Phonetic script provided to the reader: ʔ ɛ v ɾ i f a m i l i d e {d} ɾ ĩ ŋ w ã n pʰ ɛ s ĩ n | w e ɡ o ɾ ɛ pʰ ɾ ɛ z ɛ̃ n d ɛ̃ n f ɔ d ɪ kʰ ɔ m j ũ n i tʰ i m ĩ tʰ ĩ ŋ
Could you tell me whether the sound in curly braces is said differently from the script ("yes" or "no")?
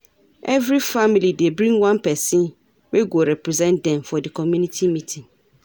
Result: yes